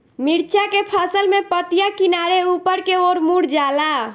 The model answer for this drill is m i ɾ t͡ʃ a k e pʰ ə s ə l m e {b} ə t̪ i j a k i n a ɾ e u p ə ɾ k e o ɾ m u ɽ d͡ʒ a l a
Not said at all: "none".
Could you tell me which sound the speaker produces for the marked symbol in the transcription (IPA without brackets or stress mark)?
p